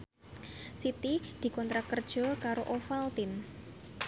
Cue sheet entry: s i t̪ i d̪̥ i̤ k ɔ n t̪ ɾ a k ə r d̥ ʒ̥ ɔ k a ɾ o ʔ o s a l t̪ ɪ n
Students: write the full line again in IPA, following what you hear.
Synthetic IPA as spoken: s i t̪ i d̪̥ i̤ k ɔ n t̪ ɾ a k ə r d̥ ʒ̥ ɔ k a ɾ o ʔ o f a l t̪ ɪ n